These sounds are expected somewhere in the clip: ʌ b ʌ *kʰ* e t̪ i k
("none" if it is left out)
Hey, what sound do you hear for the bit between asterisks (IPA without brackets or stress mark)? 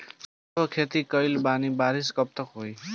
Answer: kʰ